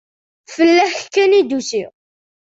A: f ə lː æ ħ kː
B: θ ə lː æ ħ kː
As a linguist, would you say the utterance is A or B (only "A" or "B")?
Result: A